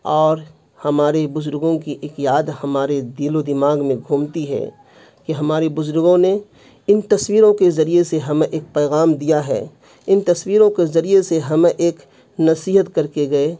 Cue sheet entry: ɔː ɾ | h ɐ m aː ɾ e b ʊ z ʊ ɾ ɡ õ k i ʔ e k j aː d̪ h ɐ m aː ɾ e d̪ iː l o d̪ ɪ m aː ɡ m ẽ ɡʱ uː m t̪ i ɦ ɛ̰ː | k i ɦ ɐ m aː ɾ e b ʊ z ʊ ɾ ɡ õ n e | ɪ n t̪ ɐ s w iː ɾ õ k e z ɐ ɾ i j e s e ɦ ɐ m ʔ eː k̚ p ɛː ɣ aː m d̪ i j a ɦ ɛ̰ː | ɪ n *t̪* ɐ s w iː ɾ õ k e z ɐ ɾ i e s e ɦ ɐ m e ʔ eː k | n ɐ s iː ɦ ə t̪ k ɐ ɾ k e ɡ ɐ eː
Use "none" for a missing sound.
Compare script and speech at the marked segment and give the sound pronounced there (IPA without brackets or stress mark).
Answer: t̪